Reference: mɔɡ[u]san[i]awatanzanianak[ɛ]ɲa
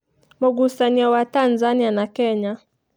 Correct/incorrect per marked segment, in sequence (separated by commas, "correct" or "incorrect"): correct, correct, correct